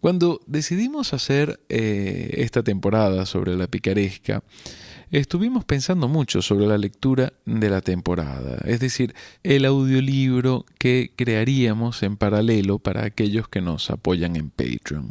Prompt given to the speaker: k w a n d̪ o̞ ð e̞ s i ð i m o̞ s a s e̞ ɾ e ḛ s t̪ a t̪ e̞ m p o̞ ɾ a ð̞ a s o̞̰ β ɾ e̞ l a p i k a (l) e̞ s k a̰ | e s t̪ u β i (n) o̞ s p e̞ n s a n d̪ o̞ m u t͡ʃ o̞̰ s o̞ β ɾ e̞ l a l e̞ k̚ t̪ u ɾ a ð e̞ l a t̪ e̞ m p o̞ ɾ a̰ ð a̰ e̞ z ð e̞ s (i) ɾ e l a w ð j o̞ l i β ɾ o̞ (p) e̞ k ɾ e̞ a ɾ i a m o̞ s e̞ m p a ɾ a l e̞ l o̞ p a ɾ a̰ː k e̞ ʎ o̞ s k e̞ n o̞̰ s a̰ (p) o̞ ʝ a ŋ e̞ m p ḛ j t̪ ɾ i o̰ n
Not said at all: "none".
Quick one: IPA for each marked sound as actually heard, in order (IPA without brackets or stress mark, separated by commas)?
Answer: ɾ, m, i, k, p